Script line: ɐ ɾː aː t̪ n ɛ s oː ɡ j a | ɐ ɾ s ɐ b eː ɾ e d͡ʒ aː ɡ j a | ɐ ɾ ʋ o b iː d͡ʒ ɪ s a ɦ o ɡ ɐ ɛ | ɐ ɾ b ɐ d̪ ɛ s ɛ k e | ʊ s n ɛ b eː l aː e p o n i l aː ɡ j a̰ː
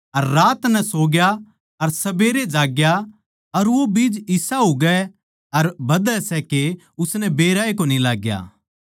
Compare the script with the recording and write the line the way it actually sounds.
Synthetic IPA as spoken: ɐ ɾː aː t̪ n ɛ s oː ɡ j a | ɐ ɾ s ɐ b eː ɾ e d͡ʒ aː ɡ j a | ɐ ɾ ʋ o b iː d͡ʒ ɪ s a ɦ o ɡ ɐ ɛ | ɐ ɾ b ɐ d̪ ɛ s ɛ k e | ʊ s n ɛ b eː ɾ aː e k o n i l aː ɡ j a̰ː

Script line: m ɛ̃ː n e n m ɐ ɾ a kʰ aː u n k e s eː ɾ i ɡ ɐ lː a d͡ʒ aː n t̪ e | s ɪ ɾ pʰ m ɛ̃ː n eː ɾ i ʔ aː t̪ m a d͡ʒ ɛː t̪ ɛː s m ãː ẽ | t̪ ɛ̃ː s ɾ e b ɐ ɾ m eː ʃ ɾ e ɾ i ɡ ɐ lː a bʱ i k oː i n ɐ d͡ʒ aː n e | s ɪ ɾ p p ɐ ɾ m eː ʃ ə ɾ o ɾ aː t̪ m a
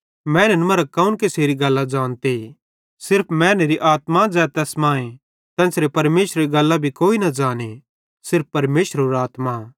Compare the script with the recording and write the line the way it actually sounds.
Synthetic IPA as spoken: m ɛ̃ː n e n m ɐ ɾ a k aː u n k e s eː ɾ i ɡ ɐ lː a d͡ʒ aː n t̪ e | s ɪ ɾ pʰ m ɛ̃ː n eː ɾ i ʔ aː t̪ m a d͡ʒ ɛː t̪ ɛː s m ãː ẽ | t̪ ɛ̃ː s ɾ e p ɐ ɾ m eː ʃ ɾ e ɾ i ɡ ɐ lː a bʱ i k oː i n ɐ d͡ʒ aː n e | s ɪ ɾ p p ɐ ɾ m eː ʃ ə ɾ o ɾ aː t̪ m a

